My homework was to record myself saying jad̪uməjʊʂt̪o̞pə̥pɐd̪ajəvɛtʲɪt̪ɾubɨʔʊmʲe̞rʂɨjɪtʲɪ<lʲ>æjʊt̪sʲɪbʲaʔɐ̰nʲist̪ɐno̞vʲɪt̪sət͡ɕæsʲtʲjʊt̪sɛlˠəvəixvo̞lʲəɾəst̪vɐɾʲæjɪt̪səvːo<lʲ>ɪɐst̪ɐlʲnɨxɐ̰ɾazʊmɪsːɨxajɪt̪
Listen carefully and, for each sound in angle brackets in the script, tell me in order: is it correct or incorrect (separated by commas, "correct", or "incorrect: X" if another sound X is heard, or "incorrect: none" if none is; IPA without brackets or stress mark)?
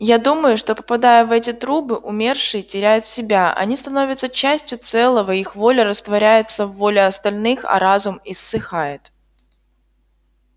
incorrect: ɾʲ, correct